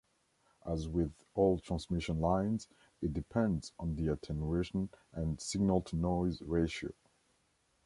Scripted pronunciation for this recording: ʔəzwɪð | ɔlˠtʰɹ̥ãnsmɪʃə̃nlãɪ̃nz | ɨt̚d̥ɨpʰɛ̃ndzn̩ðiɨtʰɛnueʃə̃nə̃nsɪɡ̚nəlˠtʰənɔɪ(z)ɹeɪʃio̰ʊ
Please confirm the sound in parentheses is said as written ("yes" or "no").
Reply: yes